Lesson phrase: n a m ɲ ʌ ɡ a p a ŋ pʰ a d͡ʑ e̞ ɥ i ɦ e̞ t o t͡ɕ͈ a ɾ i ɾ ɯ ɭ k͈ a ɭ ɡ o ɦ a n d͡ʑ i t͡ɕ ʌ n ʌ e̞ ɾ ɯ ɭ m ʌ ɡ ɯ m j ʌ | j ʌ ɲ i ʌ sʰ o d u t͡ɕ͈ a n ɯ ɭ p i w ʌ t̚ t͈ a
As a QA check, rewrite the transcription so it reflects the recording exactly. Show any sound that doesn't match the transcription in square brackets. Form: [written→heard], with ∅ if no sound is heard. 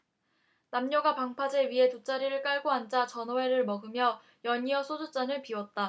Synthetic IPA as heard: n a m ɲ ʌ ɡ a p a ŋ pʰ a d͡ʑ e̞ ɥ i ɦ e̞ t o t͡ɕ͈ a ɾ i ɾ ɯ ɭ k͈ a ɭ ɡ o ɦ a n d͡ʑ [i→a] t͡ɕ ʌ n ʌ e̞ ɾ ɯ ɭ m ʌ ɡ ɯ m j ʌ | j ʌ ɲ i ʌ sʰ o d u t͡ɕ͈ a n ɯ ɭ p i w ʌ t̚ t͈ a